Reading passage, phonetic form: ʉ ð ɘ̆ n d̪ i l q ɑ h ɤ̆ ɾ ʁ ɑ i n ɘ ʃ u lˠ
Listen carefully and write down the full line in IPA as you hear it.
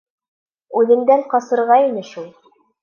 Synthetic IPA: ʉ ð ɘ̆ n d̪ æ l q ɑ s ɤ̆ ɾ ʁ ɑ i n ɘ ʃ u lˠ